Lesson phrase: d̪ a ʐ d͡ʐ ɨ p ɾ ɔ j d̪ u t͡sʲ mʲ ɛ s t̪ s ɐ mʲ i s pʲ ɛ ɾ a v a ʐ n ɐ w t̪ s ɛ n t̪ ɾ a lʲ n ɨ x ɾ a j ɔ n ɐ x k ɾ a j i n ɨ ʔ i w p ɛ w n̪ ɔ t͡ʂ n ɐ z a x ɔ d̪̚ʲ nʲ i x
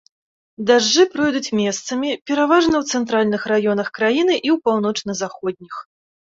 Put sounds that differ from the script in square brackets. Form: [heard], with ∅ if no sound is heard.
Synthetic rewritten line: d̪ a ʐ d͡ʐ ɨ p ɾ ɔ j d̪ u t͡sʲ mʲ ɛ s t̪ s ɐ mʲ i [∅] pʲ ɛ ɾ a v a ʐ n ɐ w t̪ s ɛ n t̪ ɾ a lʲ n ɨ x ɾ a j ɔ n ɐ x k ɾ a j i n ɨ ʔ i w p [a] w n̪ ɔ t͡ʂ n ɐ z a x ɔ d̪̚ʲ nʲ i x